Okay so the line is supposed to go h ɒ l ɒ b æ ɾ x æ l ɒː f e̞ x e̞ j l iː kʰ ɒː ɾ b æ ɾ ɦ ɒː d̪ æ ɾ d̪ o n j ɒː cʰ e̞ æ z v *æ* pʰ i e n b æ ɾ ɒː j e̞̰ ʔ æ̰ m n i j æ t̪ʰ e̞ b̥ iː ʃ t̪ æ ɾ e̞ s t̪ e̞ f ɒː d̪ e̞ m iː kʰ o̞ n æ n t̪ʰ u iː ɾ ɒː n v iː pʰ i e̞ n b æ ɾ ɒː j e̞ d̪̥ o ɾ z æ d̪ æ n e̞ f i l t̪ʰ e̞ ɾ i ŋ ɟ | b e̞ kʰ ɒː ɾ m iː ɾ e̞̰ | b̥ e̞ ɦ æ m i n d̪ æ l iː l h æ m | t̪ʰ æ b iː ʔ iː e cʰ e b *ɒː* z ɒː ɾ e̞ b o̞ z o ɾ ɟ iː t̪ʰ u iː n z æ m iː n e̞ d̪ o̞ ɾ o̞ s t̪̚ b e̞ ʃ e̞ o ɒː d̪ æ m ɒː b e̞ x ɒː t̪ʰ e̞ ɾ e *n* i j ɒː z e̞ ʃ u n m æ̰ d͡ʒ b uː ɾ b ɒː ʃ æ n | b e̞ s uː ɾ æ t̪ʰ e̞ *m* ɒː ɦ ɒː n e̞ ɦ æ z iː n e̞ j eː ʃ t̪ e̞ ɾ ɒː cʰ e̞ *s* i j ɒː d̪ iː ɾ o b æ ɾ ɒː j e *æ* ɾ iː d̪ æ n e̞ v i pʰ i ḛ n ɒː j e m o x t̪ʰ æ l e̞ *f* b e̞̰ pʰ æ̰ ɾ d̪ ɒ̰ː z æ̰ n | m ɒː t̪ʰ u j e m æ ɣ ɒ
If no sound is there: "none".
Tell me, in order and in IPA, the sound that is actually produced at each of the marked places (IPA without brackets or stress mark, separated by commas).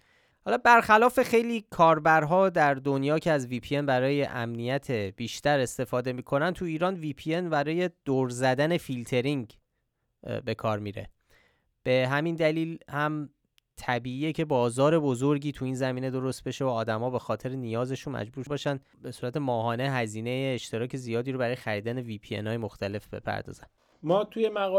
i, ɒː, n, m, z, æ, f